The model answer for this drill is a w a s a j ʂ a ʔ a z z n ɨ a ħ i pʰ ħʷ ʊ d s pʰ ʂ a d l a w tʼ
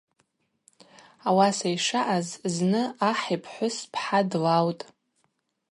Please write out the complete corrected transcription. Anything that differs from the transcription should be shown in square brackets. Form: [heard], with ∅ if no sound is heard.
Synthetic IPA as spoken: a w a s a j ʂ a ʔ a z z n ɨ a ħ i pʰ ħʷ ʊ [∅] s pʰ [ħ] a d l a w tʼ